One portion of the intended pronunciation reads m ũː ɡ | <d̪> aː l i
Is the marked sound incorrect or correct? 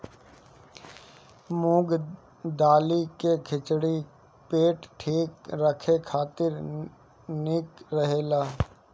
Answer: correct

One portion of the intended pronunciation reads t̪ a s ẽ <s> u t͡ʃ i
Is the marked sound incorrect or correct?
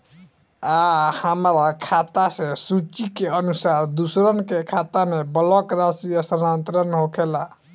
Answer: correct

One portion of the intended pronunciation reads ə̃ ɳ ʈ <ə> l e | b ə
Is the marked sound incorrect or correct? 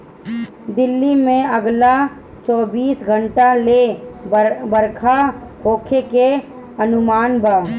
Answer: incorrect: a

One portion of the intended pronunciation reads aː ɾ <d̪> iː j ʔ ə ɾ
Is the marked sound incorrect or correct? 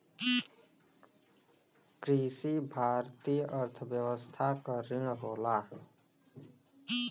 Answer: incorrect: t̪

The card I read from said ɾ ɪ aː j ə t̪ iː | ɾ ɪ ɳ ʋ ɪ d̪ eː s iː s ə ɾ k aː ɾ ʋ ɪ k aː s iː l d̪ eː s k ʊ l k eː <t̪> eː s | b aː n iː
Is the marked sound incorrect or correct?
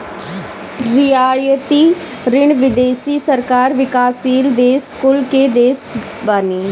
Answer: incorrect: d̪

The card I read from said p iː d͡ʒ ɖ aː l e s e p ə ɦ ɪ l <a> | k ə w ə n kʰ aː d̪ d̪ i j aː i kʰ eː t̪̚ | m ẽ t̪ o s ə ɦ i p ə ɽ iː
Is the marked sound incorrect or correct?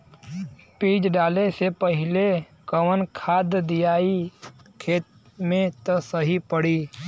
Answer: incorrect: e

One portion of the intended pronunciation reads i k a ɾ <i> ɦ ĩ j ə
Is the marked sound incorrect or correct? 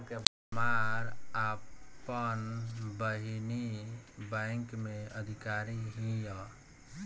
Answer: correct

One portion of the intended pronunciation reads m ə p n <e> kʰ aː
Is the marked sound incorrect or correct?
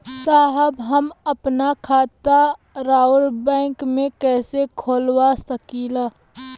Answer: incorrect: a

